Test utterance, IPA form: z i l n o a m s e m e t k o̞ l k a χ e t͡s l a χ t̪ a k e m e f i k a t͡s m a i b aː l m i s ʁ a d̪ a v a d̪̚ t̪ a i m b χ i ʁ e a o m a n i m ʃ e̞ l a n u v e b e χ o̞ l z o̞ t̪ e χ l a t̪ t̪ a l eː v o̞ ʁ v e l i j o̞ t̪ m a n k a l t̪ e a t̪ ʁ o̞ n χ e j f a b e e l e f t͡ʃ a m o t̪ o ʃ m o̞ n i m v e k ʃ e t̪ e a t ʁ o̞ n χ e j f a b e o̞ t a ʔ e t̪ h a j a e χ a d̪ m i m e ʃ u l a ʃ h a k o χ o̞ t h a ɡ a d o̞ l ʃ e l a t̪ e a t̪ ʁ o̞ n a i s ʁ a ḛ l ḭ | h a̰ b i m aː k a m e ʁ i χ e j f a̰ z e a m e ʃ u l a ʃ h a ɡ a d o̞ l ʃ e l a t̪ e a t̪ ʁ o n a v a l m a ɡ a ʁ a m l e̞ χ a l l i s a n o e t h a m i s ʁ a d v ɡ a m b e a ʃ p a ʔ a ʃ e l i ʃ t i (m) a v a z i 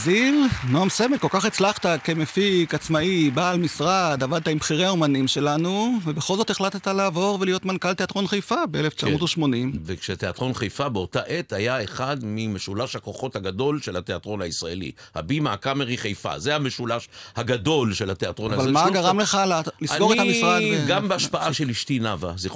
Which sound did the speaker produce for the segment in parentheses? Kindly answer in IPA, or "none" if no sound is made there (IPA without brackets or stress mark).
n